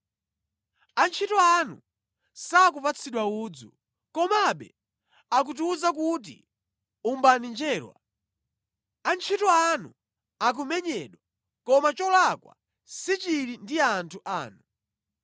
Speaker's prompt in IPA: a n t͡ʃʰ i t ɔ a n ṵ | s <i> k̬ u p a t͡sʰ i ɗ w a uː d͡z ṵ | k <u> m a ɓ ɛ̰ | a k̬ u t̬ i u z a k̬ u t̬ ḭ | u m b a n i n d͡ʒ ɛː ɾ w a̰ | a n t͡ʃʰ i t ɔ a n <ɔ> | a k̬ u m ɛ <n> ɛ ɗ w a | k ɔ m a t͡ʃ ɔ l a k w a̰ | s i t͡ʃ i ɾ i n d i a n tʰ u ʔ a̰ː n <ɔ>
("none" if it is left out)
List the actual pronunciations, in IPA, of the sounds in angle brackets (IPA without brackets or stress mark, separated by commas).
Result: a, ɔ, u, ɲ, u